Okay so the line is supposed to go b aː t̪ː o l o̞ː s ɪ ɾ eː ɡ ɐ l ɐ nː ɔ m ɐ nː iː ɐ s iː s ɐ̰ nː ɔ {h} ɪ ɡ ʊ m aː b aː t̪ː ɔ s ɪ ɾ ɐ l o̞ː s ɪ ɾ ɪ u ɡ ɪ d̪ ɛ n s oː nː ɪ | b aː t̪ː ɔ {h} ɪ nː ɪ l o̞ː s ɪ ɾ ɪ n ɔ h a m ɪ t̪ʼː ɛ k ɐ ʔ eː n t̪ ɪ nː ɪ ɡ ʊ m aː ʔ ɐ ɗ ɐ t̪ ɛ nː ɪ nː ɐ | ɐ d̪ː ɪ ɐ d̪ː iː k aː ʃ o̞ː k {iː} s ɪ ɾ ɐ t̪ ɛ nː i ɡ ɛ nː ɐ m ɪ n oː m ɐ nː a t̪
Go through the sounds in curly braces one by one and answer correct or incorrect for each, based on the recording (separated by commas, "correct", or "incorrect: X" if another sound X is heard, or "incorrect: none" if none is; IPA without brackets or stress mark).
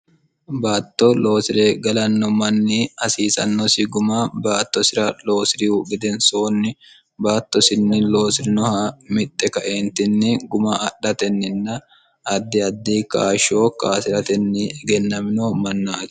incorrect: s, incorrect: s, incorrect: aː